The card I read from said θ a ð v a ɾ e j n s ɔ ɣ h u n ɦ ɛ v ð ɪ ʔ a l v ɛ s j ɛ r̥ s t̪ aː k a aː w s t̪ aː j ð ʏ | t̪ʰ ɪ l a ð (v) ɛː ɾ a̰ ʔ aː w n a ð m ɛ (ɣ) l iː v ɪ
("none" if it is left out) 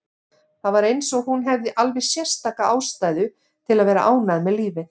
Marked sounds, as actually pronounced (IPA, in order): v, ð

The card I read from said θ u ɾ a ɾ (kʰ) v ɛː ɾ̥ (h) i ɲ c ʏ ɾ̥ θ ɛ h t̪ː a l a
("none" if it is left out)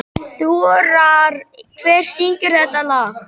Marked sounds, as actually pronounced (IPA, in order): kʰ, s

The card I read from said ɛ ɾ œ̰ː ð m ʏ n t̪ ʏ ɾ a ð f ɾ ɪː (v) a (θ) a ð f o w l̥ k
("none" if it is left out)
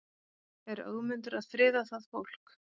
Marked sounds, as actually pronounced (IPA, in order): ð, θ

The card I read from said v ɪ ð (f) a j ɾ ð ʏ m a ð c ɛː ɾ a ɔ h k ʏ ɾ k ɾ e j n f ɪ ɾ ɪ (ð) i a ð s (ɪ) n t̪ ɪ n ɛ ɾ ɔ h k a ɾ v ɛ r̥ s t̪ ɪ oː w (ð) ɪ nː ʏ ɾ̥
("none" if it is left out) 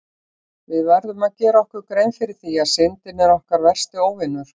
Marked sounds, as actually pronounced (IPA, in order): v, θ, ɪ, v

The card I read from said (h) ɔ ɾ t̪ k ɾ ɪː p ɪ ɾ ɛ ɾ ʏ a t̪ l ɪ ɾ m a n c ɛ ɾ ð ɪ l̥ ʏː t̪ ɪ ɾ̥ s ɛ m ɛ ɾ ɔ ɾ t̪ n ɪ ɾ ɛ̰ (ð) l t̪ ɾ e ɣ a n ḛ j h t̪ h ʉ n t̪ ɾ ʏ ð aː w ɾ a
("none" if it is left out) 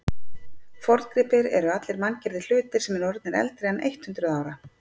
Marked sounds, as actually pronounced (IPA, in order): f, none

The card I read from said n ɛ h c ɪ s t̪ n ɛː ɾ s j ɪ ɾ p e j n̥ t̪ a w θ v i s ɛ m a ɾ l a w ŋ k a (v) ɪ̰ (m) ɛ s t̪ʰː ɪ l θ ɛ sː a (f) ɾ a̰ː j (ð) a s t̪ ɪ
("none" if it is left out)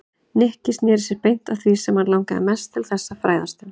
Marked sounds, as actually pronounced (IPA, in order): ð, m, f, ð

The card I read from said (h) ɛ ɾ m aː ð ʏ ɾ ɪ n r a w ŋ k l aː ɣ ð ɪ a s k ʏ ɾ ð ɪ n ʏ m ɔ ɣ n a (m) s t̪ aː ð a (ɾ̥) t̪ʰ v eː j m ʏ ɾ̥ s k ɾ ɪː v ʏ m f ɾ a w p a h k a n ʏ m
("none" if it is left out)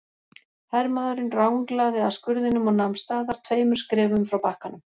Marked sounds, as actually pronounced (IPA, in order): h, m, ɾ̥

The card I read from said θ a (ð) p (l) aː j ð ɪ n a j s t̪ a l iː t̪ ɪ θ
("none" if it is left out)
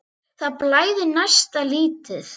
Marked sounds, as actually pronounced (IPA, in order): ð, l

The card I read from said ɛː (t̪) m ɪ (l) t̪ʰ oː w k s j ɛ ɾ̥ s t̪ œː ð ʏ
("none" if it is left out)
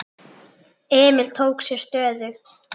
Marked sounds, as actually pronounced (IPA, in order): none, l

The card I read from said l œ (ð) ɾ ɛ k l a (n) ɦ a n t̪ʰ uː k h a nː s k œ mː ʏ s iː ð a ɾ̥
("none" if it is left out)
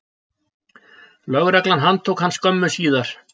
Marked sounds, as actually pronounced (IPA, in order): ɣ, n

